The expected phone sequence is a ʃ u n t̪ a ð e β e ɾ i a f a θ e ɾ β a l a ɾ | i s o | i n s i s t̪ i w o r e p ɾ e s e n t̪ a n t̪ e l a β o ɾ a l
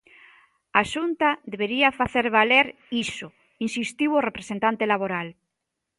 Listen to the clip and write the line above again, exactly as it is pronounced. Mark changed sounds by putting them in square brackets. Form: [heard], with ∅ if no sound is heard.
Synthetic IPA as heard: a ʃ u n t̪ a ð e β e ɾ i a f a θ e ɾ β a l [e] ɾ | i s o | i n s i s t̪ i w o r e p ɾ e s e n t̪ a n t̪ e l a β o ɾ a l